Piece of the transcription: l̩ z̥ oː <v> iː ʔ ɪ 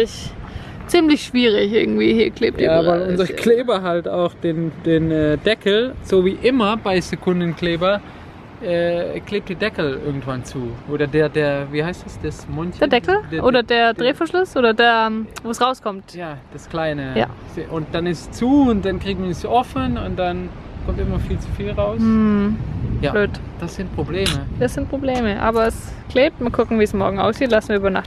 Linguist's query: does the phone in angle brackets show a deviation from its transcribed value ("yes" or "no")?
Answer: no